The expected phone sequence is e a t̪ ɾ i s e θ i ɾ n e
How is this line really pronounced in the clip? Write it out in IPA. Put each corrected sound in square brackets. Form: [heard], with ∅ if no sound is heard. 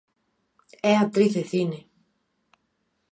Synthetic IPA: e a t̪ ɾ i [θ] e θ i [∅] n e